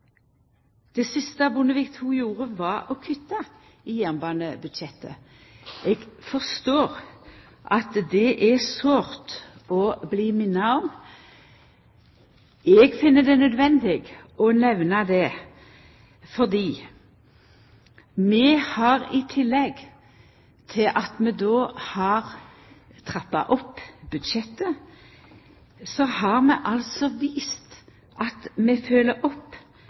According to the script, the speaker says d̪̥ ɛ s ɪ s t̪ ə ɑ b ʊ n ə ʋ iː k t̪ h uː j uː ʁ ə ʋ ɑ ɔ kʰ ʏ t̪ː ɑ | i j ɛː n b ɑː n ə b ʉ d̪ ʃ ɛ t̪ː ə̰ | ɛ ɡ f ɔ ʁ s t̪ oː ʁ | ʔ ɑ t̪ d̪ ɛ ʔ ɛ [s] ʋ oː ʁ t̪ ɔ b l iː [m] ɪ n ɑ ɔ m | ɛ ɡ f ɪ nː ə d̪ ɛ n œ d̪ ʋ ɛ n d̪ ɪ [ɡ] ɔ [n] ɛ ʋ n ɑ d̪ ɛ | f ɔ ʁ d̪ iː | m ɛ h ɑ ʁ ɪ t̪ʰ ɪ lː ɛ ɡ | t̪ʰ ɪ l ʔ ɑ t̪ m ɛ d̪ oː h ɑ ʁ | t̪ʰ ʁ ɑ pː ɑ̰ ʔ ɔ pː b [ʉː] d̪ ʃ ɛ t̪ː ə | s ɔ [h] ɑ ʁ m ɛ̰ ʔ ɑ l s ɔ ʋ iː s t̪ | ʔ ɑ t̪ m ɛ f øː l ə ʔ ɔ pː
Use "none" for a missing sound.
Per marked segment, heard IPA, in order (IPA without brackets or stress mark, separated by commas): s, m, ɡ, n, ʉ, h